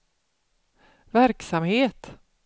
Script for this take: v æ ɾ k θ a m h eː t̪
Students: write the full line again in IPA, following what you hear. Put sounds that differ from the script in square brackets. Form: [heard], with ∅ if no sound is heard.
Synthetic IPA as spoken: v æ ɾ k [s] a m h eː t̪